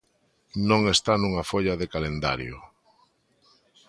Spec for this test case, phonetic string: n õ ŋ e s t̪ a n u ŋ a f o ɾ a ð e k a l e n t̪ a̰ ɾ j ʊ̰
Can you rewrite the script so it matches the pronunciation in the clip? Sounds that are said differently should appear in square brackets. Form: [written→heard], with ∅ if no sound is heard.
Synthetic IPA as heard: n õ ŋ e s t̪ a n u ŋ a f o [ɾ→ʎ] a ð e k a l e n [t̪→d̪] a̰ ɾ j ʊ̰